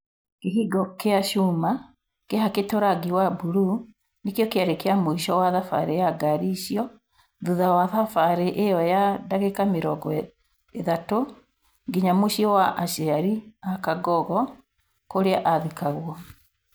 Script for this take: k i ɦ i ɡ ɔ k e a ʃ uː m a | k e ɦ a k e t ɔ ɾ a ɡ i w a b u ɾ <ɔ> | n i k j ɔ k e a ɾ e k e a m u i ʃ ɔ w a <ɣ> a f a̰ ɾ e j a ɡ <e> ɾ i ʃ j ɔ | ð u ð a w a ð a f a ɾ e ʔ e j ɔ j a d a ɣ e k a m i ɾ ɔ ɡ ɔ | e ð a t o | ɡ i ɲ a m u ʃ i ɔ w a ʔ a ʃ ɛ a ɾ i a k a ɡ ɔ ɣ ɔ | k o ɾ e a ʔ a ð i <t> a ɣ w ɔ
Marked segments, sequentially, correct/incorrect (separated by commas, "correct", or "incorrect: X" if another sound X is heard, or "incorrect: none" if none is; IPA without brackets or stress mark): incorrect: u, incorrect: ð, incorrect: a, incorrect: k